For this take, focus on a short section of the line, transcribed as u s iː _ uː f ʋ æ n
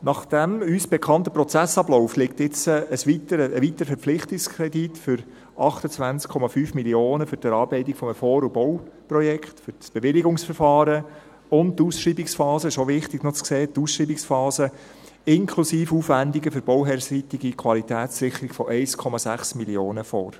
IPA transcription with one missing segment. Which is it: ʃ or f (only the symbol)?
f